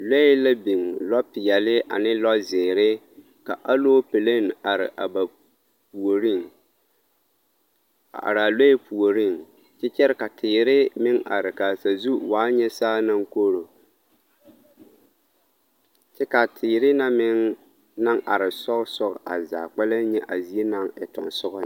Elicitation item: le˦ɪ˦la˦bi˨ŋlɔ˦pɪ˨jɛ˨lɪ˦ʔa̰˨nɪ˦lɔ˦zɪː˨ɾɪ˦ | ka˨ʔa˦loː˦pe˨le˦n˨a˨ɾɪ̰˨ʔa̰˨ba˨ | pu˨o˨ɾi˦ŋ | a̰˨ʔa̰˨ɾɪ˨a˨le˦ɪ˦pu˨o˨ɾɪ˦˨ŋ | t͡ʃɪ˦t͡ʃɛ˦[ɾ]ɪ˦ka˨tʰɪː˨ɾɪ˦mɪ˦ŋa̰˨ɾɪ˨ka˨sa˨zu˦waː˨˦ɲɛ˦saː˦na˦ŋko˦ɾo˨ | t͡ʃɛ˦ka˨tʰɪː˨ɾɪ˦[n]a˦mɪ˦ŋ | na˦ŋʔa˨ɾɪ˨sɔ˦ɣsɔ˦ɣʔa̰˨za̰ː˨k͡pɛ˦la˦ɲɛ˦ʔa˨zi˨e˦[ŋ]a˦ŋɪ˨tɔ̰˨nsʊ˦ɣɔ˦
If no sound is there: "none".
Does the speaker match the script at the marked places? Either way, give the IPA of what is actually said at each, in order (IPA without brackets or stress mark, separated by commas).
ɾ, n, n